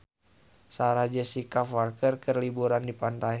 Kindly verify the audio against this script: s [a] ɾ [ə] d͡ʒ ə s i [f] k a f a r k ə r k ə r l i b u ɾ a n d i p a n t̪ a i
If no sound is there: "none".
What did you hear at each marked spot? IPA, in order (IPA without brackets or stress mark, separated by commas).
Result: a, a, none